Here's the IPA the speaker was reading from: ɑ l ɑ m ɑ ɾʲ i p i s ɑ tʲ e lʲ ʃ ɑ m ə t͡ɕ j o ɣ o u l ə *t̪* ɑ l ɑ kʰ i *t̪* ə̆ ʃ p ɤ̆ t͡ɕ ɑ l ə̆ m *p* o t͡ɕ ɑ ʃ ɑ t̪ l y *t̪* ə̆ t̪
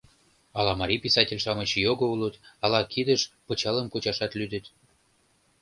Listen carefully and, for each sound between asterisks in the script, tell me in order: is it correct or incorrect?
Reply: correct, incorrect: d̪, incorrect: k, incorrect: d̪

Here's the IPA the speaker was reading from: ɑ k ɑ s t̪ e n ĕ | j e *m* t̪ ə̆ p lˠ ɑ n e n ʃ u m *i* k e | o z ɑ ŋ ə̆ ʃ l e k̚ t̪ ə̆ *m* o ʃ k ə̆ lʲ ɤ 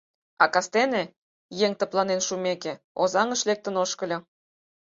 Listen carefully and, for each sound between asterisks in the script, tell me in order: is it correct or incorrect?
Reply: incorrect: ŋ, incorrect: e, incorrect: n

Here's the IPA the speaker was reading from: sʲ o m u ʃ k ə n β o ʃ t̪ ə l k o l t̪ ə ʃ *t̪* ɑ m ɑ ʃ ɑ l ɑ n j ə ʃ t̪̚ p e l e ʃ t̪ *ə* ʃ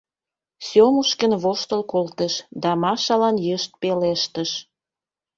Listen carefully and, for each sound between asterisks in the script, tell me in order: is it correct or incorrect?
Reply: incorrect: d̪, correct

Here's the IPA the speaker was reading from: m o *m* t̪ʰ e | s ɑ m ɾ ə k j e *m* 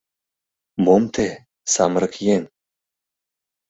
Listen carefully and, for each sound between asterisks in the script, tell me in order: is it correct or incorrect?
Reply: correct, incorrect: n

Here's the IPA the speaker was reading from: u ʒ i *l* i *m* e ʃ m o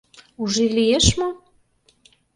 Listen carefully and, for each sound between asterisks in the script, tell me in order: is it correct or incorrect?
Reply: correct, incorrect: none

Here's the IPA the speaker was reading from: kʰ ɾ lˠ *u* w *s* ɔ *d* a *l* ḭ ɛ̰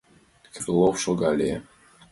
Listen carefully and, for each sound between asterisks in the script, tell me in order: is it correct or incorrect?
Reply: incorrect: ɔ, incorrect: ʃ, incorrect: ɡ, correct

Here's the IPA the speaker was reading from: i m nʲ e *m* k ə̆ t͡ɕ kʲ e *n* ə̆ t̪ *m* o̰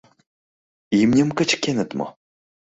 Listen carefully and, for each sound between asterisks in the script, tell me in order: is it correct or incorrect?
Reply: correct, correct, correct

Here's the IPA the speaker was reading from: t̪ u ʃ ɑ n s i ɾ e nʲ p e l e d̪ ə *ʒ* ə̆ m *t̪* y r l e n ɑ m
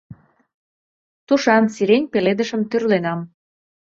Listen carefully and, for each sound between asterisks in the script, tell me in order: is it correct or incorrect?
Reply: incorrect: ʃ, correct

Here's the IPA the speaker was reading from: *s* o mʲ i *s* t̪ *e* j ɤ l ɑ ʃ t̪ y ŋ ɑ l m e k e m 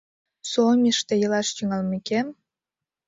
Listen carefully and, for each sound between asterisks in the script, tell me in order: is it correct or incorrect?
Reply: correct, incorrect: ʃ, correct

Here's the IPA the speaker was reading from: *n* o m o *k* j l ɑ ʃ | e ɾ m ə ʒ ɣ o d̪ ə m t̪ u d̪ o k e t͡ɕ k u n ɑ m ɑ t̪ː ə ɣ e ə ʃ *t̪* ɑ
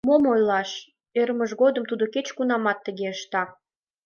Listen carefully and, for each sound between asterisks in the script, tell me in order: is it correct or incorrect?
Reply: incorrect: m, incorrect: none, correct

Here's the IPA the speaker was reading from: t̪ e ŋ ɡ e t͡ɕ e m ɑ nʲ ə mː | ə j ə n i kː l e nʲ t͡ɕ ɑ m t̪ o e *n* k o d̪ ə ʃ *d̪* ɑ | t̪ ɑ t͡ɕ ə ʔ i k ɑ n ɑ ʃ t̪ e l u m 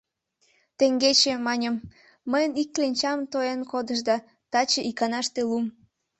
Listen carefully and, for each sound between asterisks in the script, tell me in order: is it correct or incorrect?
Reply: correct, correct

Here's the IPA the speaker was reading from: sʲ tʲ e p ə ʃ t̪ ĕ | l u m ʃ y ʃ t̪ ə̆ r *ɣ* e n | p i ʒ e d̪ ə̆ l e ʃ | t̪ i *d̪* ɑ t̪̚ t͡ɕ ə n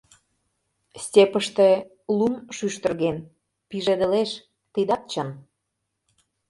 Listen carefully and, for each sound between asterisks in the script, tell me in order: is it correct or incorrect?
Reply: correct, correct

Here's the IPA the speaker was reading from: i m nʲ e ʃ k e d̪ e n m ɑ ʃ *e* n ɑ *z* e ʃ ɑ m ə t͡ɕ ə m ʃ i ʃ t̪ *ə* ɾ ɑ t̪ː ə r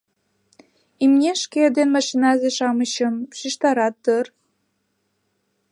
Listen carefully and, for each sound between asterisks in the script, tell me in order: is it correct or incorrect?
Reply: incorrect: i, correct, incorrect: ɑ

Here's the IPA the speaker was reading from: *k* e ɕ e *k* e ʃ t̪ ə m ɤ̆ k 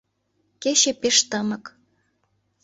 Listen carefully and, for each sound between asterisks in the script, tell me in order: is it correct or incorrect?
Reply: correct, incorrect: p

